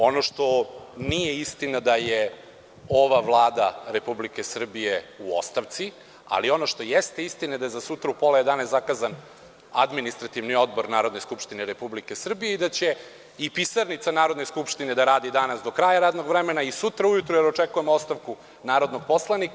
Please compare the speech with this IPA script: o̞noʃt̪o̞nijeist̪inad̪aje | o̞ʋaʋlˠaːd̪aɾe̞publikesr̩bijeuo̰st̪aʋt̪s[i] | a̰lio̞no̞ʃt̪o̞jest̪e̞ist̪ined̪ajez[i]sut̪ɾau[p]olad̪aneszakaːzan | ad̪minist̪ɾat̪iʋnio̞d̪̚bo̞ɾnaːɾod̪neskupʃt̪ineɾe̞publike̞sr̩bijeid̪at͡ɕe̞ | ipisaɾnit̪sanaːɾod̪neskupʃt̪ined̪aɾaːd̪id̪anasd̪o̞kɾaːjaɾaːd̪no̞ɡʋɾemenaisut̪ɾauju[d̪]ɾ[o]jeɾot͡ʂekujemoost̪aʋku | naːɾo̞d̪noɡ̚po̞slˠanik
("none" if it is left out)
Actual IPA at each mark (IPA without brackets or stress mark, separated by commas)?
i, a, p, t̪, u